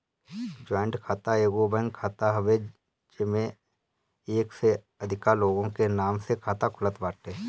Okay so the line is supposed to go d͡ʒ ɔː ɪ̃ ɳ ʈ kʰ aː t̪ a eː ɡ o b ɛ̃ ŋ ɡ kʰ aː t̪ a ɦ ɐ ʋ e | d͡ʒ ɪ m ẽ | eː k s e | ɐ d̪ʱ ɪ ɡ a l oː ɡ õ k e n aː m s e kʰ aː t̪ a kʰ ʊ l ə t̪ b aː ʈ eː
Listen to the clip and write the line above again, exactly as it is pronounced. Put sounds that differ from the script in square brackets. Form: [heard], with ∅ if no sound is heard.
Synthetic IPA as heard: d͡ʒ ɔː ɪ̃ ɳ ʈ kʰ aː t̪ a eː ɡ o b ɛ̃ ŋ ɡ kʰ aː t̪ a ɦ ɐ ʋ e | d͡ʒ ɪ m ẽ | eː k s e | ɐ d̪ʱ ɪ [k] a l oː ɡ õ k e n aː m s e kʰ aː t̪ a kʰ ʊ l ə t̪ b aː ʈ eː